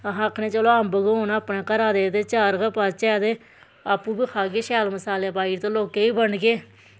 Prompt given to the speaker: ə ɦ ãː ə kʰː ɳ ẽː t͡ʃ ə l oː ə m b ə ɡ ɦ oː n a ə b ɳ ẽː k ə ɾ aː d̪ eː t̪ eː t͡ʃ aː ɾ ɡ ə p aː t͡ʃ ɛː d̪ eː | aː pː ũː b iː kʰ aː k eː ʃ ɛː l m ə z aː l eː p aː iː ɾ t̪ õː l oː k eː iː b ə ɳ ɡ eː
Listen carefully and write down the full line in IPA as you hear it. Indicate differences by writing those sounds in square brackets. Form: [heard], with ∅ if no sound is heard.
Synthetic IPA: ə ɦ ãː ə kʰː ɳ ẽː t͡ʃ ə l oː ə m b ə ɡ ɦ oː n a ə [p] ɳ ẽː k ə ɾ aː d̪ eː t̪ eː t͡ʃ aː ɾ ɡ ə p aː t͡ʃ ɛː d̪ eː | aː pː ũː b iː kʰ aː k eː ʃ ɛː l m ə [s] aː l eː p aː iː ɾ t̪ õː l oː k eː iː b ə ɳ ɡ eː